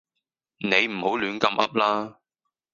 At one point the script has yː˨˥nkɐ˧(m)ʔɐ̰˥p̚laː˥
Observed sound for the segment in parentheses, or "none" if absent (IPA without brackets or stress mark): m